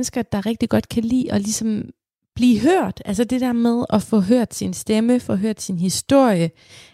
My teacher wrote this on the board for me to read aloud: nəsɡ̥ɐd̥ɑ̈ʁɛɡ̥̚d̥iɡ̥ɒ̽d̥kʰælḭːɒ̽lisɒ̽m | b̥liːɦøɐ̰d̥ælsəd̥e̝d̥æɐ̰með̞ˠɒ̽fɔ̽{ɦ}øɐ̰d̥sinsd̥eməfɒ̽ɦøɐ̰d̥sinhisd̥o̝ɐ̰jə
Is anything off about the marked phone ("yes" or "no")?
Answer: no